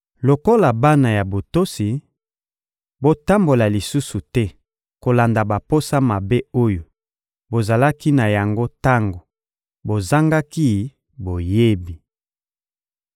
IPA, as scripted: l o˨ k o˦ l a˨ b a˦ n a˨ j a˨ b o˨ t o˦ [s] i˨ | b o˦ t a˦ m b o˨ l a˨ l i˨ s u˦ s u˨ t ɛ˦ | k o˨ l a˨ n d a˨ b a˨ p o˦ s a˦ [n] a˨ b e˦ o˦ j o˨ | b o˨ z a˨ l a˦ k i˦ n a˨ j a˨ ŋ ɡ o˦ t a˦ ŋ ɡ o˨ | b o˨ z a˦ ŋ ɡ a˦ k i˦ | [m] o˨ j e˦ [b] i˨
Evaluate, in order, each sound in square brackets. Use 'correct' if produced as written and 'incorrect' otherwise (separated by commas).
correct, incorrect, incorrect, correct